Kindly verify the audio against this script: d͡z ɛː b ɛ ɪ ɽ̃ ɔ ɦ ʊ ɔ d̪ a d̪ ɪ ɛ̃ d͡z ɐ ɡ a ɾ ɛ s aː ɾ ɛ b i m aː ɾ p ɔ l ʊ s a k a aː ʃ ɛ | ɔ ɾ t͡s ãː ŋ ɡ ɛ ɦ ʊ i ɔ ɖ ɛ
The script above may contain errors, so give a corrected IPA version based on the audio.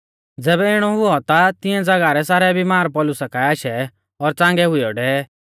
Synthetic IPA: d͡z ɛː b ɛ ɪ ɽ̃ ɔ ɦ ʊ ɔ t̪ a t̪ ɪ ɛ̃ d͡z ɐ ɡ a ɾ ɛ s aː ɾ ɛ b i m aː ɾ p ɔ l ʊ s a k a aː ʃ ɛ | ɔ ɾ t͡s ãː ŋ ɡ ɛ ɦ ʊ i ɔ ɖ ɛ

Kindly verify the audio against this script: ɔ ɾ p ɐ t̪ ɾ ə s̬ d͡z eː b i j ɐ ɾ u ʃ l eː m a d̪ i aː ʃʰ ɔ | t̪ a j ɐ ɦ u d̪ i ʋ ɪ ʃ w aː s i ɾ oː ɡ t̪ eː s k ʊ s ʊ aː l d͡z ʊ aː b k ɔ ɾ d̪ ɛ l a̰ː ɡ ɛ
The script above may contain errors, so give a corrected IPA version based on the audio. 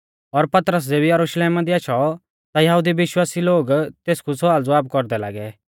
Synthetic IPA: ɔ ɾ p ɐ t̪ ɾ ə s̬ d͡z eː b i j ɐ ɾ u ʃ l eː m a d̪ i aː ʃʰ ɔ | t̪ a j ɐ ɦ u d̪ i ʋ ɪ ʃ w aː s i l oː ɡ t̪ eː s k u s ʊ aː l d͡z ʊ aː b k ɔ ɾ d̪ ɛ l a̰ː ɡ ɛ

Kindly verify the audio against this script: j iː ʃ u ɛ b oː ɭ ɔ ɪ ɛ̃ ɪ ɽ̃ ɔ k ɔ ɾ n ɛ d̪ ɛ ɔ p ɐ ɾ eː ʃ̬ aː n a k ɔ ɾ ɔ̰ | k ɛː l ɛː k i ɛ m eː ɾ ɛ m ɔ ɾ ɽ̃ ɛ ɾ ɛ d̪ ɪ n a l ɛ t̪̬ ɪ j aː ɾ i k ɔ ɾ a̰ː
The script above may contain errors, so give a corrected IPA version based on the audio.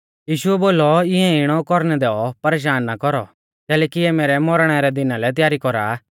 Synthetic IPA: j iː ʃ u ɛ b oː l ɔ ɪ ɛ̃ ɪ ɽ̃ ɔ k ɔ ɾ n ɛ d̪ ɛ ɔ p ɐ ɾ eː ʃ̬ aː nː a k ɔ ɾ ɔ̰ | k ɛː l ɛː k i ɛ m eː ɾ ɛ m ɔ ɾ ɽ̃ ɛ ɾ ɛ d̪ ɪ n a l ɛ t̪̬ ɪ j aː ɾ i k ɔ ɾ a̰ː

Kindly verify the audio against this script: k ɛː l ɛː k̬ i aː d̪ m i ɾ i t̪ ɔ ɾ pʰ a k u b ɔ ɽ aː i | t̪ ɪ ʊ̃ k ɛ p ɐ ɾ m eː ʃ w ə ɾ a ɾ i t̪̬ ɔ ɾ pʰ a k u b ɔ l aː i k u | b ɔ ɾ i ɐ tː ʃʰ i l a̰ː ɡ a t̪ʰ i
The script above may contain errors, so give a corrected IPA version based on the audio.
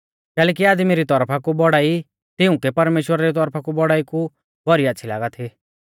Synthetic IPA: k ɛː l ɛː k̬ i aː d̪ m i ɾ i t̪ ɔ ɾ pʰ a k u b ɔ ɽ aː i | t̪ ɪ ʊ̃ k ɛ p ɐ ɾ m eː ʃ w ə ɾ a ɾ i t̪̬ ɔ ɾ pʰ a k u b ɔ ɽ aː i k u | b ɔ ɾ i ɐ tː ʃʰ i l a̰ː ɡ a t̪ʰ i

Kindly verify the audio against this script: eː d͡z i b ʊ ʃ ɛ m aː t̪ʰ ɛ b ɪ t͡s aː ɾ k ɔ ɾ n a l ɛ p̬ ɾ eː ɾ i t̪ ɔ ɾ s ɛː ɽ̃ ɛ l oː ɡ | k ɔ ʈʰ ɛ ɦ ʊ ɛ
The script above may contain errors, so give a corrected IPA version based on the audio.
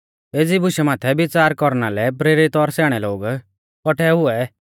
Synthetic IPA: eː d͡z i b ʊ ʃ ɛ m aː t̪ʰ ɛ b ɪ t͡s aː ɾ k ɔ ɾ n a l ɛ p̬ ɾ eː ɾ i t̪ ɔ ɾ s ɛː ɽ̃ ɛ l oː ɡ | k ɔ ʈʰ ɛ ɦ ʊ ɛ

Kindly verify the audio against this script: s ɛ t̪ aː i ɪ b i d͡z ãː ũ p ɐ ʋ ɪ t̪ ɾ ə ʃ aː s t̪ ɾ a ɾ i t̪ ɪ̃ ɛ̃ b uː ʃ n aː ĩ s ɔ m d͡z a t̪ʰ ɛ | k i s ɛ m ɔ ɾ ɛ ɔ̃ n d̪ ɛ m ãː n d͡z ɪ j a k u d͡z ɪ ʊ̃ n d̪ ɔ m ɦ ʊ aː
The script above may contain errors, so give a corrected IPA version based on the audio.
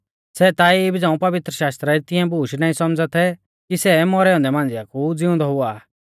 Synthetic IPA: s ɛ t̪ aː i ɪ b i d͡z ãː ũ p ɐ ʋ ɪ t̪ ɾ ə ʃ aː s t̪ ɾ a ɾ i t̪ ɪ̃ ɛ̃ b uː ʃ n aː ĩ s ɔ m d͡z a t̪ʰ ɛ | k i s ɛ m ɔ ɾ ɛ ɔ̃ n d̪ ɛ m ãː n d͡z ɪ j a k u d͡z ɪ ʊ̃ n d̪ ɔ ɦ ʊ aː

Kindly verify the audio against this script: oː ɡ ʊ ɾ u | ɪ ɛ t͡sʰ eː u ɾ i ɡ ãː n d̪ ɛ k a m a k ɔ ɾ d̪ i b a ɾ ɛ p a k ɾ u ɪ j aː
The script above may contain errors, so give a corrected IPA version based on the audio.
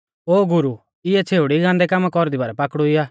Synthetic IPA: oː ɡ ʊ ɾ u | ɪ ɛ t͡sʰ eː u ɽ i ɡ ãː n d̪ ɛ k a m a k ɔ ɾ d̪ i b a ɾ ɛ p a k ɽ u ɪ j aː

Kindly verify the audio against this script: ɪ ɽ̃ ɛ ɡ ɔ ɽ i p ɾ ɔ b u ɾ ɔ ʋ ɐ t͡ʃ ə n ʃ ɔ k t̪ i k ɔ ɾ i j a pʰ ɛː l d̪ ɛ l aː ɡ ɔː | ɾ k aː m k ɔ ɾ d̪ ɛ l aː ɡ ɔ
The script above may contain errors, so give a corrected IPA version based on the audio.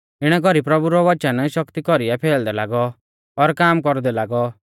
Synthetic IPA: ɪ ɽ̃ ɛ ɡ ɔ ɾ i p ɾ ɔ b u ɾ ɔ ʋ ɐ t͡ʃ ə n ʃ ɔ k t̪ i k ɔ ɾ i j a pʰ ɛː l d̪ ɛ l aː ɡ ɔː | ɾ k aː m k ɔ ɾ d̪ ɛ l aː ɡ ɔ

